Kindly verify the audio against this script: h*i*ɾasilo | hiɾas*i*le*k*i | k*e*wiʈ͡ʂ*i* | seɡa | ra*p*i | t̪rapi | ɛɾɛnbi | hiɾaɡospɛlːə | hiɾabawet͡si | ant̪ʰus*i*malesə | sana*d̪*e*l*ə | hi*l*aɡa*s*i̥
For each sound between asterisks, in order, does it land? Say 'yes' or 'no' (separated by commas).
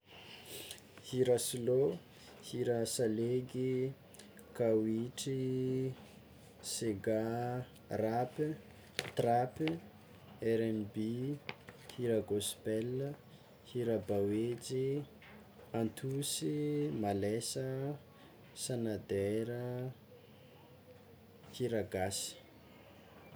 yes, no, no, no, yes, yes, yes, yes, no, no, yes